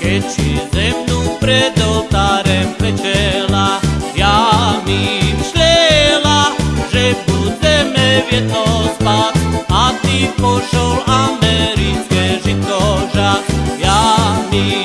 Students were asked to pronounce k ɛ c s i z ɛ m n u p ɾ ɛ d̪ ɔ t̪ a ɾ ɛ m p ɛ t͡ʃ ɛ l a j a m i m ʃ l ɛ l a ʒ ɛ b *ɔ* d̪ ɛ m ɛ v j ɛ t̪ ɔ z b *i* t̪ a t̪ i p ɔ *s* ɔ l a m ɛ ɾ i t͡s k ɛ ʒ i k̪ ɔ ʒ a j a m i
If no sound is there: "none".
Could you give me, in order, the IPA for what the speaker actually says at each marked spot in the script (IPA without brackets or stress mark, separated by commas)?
u, a, ʃ